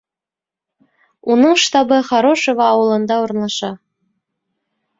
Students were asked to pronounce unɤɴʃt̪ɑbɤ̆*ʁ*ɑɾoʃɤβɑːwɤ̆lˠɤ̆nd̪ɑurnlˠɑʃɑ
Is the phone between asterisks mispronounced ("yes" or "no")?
yes